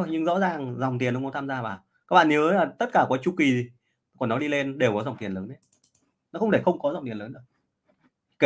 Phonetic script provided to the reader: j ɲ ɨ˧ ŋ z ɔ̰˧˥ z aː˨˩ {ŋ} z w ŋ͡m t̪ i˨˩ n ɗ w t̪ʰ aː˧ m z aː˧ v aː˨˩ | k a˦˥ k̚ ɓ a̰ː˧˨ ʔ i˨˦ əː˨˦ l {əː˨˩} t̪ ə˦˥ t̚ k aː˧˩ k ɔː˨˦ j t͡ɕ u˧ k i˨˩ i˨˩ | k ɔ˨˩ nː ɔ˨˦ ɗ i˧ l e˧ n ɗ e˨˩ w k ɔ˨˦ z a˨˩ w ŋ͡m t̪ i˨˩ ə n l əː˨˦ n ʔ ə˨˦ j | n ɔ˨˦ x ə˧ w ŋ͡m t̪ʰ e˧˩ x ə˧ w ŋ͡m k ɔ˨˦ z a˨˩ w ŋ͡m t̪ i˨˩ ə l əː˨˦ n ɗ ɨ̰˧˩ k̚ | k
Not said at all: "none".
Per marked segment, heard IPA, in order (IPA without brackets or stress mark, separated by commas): ŋ, aː˨˩